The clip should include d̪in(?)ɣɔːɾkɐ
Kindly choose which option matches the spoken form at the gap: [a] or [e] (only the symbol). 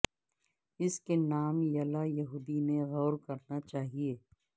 e